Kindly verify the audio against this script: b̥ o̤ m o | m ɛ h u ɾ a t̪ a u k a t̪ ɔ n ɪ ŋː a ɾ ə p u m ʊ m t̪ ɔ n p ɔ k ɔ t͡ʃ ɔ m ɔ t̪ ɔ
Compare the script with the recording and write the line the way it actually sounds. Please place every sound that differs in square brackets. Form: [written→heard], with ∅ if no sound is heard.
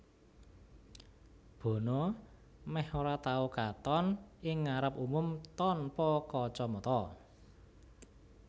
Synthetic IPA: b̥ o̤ [m→n] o | m ɛ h [u→o] ɾ a t̪ a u k a t̪ ɔ n ɪ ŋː a ɾ ə p u m ʊ m t̪ ɔ n p ɔ k ɔ t͡ʃ ɔ m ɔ t̪ ɔ